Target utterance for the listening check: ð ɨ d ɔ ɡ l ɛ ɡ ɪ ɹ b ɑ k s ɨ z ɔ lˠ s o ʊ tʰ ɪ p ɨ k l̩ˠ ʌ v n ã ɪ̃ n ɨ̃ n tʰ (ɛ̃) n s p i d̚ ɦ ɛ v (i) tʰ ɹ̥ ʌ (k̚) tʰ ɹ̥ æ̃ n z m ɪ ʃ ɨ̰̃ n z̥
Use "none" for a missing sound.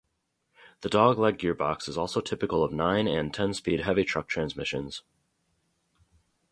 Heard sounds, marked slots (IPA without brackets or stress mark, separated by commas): ɛ̃, i, k̚